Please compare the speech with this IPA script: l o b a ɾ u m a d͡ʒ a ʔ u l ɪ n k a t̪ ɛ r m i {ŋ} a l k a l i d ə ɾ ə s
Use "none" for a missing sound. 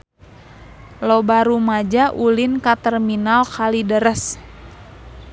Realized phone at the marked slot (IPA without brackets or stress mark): n